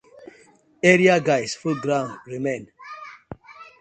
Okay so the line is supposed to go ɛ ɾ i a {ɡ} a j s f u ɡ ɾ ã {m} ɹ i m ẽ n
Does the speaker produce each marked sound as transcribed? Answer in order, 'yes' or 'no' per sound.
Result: yes, no

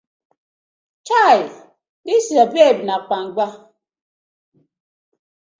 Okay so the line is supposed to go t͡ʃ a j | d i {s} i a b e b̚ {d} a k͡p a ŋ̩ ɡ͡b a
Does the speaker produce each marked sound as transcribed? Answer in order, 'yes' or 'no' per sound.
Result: yes, no

